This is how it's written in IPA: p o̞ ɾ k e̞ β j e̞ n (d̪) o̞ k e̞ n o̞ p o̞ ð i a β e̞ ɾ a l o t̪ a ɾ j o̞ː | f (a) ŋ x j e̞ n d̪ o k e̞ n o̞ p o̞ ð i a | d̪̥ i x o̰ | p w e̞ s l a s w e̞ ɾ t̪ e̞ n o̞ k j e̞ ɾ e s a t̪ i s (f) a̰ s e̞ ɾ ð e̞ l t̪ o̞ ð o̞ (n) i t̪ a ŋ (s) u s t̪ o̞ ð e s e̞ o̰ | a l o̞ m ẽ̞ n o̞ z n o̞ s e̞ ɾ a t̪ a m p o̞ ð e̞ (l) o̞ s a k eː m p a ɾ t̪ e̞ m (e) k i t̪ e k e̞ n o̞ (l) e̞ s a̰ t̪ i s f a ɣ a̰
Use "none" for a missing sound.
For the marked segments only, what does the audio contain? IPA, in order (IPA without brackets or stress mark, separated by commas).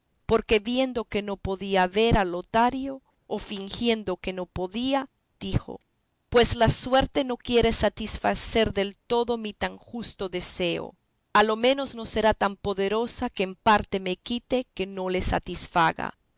d̪, i, f, m, x, ɾ, e, l